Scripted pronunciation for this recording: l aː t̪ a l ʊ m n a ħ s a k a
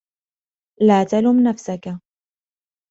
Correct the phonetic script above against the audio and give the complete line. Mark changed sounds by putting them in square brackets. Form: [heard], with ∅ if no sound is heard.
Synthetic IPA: l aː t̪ a l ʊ m n a [f] s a k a